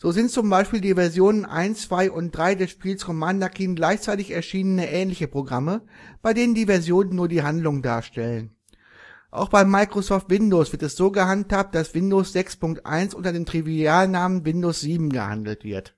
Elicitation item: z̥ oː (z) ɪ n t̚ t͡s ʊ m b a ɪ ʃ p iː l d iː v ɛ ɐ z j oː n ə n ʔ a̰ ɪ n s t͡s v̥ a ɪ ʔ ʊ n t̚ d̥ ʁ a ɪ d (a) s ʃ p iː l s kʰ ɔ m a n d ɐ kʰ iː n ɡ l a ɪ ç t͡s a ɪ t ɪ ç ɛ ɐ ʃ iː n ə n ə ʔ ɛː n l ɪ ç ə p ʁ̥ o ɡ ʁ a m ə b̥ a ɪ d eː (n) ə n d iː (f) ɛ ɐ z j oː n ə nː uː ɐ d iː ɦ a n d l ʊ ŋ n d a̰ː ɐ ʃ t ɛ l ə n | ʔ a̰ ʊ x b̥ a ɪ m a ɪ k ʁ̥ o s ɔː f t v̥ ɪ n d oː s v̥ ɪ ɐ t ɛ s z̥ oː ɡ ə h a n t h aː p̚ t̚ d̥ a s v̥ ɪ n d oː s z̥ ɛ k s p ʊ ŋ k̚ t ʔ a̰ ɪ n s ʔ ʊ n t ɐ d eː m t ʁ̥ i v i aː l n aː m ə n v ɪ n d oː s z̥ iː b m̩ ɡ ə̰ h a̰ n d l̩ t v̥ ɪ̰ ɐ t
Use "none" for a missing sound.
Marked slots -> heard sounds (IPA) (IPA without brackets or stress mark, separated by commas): z, ɛ, n, v